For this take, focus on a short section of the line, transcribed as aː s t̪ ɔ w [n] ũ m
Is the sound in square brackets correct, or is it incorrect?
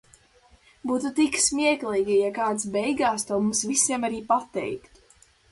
incorrect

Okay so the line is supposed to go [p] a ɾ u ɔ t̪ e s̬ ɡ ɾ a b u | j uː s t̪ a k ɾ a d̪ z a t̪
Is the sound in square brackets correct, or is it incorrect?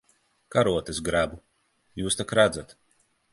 incorrect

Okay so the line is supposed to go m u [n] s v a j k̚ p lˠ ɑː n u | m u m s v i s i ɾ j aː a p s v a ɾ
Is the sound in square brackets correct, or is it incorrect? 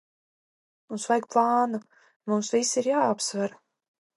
correct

